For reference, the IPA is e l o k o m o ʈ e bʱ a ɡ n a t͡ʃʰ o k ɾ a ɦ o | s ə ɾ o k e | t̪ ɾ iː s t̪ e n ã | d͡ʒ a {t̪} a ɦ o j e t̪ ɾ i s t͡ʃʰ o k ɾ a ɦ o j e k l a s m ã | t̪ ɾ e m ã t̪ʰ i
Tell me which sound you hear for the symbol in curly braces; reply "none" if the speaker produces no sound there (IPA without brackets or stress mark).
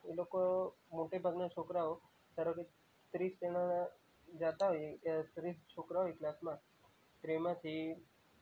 t̪